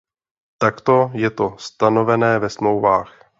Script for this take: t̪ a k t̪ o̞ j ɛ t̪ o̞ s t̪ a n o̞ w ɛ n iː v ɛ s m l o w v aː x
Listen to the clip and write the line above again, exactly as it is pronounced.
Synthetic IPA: t̪ a k t̪ o̞ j ɛ t̪ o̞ s t̪ a n o̞ v ɛ n ɛː v ɛ s m l o w v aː x

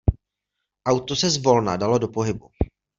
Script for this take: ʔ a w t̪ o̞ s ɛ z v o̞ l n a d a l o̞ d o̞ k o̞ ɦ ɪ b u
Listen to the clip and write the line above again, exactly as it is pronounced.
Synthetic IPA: ʔ a w t̪ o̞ s ɛ z v o̞ l n a d a l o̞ d o̞ p o̞ ɦ ɪ b u

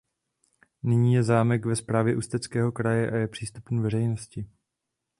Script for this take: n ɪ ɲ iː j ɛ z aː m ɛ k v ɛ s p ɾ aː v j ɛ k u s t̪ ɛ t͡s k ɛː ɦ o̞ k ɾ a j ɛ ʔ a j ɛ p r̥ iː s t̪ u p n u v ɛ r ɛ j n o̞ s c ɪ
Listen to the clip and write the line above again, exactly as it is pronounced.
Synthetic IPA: n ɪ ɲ iː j ɛ z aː m ɛ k v ɛ s p ɾ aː v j ɛ ʔ u s t̪ ɛ t͡s k ɛː ɦ o̞ k ɾ a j ɛ ʔ a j ɛ p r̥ iː s t̪ u p n u v ɛ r ɛ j n o̞ s c ɪ

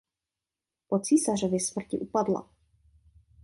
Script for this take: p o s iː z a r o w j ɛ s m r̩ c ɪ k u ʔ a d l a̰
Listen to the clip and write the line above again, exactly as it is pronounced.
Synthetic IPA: p o t͡s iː s a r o v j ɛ s m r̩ c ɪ ʔ u p a d l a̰

